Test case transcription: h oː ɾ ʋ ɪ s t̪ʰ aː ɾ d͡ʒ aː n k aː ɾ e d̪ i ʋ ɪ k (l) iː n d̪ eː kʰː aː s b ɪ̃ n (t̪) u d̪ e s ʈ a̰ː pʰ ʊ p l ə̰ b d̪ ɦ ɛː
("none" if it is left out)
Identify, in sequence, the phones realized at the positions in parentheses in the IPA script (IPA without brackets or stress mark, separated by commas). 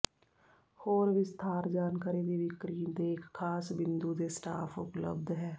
ɾ, d̪